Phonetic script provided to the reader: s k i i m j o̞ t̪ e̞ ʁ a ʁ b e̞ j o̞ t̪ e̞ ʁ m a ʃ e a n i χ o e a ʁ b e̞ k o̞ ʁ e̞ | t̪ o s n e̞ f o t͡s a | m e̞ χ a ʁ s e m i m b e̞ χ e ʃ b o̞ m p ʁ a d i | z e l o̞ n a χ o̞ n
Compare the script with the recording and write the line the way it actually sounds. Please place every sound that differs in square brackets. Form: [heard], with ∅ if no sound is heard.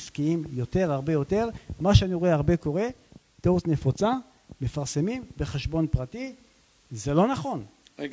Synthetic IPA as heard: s k i i m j o̞ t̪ e̞ ʁ a ʁ b e̞ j o̞ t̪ e̞ ʁ m a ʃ e a n i [ʁ] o e a ʁ b e̞ k o̞ ʁ e̞ | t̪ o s n e̞ f o t͡s a | m e̞ [f] a ʁ s e m i m b e̞ χ e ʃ b o̞ [n] p ʁ a [t] i | z e l o̞ n a χ o̞ n